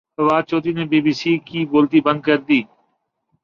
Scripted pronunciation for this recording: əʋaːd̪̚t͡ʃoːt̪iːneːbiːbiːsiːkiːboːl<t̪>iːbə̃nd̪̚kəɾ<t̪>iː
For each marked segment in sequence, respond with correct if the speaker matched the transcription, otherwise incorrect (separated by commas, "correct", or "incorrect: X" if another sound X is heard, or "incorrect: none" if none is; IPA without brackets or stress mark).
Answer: correct, incorrect: d̪